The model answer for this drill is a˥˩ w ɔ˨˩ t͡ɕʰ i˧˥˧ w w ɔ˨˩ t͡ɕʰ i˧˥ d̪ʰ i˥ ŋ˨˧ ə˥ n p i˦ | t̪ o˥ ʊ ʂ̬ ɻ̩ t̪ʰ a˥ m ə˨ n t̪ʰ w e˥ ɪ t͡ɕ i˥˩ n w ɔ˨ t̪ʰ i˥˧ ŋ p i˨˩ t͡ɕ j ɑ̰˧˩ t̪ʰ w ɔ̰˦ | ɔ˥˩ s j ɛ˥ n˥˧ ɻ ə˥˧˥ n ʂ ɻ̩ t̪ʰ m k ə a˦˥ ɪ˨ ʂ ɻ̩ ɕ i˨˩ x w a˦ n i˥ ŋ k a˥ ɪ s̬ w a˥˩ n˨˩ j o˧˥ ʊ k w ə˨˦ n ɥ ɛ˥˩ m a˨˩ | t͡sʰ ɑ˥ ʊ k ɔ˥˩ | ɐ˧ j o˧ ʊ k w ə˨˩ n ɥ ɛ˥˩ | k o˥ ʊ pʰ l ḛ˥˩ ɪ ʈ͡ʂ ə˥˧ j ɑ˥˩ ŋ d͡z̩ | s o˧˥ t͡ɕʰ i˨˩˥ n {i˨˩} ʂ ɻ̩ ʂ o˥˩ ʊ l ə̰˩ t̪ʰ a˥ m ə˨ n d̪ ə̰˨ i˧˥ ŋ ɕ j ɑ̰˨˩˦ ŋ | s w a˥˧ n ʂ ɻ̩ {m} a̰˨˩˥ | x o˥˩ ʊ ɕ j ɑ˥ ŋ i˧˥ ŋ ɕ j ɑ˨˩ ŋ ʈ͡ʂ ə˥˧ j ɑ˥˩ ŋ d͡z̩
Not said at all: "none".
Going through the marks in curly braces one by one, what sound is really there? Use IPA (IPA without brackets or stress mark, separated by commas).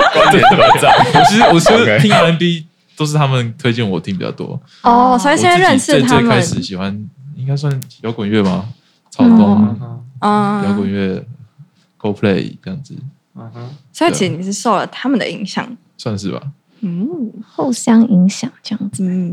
i˨˩, b